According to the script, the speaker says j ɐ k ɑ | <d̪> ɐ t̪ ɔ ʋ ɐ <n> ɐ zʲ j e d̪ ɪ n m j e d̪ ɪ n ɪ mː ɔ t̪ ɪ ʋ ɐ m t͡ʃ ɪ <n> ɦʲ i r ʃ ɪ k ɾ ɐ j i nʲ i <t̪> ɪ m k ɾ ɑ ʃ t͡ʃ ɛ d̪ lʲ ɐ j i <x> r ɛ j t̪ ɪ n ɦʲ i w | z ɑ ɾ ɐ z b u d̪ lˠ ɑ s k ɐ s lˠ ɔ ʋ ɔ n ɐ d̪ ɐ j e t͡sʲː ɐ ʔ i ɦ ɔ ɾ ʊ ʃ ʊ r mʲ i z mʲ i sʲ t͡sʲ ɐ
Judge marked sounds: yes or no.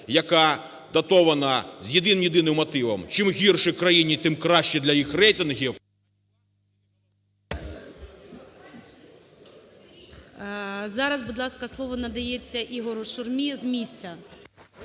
yes, yes, no, yes, yes

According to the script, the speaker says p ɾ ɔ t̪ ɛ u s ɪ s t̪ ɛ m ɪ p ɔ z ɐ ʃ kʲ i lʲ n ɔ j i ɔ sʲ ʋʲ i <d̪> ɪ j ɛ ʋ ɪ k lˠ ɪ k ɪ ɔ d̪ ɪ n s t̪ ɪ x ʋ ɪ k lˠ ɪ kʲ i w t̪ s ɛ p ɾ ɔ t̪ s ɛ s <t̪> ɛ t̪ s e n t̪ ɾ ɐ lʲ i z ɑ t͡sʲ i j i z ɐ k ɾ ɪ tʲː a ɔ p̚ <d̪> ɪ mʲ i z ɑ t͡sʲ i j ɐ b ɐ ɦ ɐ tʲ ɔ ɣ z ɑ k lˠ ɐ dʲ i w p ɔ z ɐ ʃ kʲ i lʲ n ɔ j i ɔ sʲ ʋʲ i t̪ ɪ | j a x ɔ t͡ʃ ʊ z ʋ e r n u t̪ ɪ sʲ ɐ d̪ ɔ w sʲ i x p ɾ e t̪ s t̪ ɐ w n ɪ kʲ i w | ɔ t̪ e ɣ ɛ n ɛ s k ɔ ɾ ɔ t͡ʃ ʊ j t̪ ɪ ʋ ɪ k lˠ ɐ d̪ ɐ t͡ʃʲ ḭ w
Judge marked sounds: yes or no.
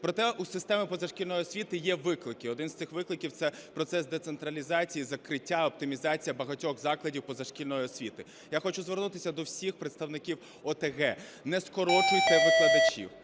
no, no, no

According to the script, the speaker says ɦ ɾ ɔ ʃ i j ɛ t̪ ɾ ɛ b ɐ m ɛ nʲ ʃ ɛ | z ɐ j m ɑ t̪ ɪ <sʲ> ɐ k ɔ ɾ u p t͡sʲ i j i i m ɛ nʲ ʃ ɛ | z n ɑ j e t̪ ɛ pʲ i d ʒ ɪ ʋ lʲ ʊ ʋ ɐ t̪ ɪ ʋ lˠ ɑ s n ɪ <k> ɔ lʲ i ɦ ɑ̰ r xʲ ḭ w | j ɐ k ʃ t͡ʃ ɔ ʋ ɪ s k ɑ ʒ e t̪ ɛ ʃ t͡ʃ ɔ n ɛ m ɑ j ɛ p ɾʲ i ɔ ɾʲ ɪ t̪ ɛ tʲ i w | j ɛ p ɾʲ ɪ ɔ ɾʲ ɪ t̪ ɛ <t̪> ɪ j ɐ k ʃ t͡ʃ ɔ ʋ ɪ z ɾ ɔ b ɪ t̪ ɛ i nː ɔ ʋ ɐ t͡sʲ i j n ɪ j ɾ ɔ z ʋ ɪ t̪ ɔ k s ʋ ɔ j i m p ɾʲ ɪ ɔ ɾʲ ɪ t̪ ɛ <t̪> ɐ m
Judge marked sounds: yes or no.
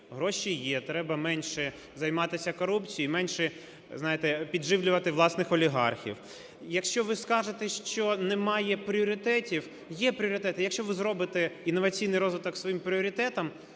yes, no, yes, yes

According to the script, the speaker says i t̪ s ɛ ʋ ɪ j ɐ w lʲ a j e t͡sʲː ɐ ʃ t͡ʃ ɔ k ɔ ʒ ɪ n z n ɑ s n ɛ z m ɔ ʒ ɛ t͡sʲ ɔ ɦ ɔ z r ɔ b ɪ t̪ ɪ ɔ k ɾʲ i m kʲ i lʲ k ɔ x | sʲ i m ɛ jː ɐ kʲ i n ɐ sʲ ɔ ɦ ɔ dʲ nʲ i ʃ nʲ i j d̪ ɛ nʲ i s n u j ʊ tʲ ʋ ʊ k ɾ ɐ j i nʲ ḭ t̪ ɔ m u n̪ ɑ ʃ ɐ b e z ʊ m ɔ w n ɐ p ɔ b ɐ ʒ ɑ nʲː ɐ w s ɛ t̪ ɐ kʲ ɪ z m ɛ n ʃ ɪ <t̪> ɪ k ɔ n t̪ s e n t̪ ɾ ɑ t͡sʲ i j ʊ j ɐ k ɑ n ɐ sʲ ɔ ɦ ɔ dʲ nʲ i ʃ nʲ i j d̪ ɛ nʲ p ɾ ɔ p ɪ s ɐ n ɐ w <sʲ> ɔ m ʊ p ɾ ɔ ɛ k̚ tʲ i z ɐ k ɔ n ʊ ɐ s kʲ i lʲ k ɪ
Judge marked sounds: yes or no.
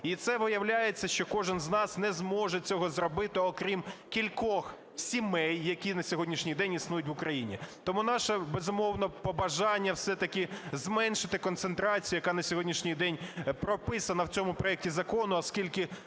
yes, no

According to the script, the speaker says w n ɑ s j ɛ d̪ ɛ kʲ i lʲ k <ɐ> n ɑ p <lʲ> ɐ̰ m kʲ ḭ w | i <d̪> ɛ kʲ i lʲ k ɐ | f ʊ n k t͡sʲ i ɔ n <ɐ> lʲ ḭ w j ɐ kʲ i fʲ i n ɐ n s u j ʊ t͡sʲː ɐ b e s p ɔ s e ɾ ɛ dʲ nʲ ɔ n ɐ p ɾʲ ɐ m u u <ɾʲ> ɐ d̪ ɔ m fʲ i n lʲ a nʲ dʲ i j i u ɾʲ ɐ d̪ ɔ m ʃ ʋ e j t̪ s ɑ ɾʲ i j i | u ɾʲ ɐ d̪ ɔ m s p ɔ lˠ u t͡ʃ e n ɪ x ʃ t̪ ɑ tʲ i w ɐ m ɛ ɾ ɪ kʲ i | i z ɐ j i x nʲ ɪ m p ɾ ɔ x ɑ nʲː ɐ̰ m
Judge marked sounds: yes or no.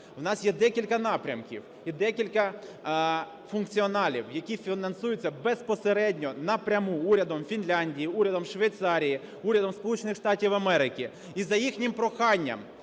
yes, no, yes, no, yes

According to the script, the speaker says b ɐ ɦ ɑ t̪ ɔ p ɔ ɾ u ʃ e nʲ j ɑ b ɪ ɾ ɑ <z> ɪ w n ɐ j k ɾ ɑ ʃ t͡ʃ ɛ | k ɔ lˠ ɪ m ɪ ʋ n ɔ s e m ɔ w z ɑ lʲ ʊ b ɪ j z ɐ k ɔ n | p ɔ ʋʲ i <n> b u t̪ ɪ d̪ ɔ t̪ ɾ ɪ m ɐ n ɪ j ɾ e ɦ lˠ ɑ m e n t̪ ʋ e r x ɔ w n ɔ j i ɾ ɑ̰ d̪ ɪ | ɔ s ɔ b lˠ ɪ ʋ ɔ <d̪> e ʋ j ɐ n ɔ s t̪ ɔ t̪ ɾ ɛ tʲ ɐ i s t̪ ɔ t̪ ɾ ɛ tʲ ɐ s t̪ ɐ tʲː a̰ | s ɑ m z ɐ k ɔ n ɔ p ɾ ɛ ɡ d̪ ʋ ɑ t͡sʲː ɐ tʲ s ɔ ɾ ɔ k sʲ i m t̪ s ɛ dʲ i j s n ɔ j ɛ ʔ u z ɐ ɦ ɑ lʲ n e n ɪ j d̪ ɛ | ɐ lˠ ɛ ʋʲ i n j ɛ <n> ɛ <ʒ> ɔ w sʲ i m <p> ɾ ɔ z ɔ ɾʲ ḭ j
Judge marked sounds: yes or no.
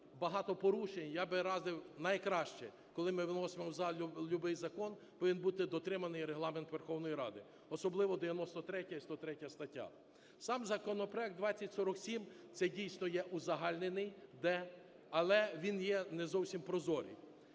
yes, yes, yes, yes, no, yes

